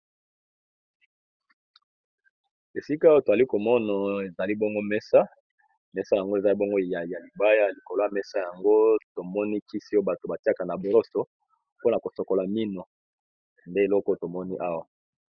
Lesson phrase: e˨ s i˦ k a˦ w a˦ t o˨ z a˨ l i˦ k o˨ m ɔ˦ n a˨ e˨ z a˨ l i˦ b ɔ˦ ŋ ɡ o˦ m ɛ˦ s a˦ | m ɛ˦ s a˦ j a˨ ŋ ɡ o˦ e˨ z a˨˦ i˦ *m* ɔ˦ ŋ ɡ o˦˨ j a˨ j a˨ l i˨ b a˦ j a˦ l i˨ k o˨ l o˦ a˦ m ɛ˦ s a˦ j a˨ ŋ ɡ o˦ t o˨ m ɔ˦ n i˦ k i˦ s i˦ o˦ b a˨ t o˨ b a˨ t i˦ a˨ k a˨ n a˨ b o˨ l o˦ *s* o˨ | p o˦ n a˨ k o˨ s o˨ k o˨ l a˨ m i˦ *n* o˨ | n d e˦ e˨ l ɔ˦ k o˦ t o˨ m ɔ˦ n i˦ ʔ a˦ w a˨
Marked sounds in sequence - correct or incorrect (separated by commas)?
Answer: incorrect, correct, correct